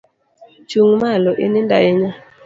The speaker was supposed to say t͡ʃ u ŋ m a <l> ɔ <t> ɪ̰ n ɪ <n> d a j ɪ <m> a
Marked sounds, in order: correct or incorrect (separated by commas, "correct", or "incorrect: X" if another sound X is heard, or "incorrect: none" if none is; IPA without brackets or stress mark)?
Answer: correct, incorrect: ʔ, correct, incorrect: ɲ